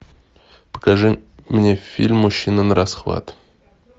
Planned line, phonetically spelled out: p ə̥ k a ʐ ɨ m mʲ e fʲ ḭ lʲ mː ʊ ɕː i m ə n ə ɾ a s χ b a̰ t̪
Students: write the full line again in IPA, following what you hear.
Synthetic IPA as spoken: p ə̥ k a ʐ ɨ m nʲ e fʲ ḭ lʲ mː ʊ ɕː i n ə n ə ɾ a s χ v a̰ t̪